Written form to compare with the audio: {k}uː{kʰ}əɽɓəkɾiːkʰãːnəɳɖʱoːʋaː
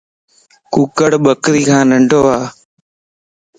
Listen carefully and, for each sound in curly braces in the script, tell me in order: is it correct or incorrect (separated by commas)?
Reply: correct, incorrect